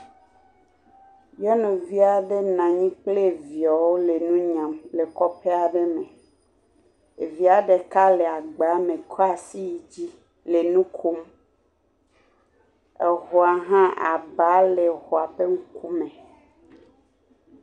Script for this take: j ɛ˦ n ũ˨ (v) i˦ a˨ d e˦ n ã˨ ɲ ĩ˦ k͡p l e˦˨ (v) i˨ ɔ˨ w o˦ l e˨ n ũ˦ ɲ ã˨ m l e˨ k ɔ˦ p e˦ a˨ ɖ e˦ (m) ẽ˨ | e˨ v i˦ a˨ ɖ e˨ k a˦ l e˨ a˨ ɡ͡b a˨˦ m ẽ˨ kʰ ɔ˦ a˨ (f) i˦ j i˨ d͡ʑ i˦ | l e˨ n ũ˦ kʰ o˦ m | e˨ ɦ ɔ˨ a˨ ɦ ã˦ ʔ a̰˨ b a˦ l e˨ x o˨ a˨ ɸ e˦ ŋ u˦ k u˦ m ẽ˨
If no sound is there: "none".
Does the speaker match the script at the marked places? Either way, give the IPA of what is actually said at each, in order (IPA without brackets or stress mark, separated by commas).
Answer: v, v, m, s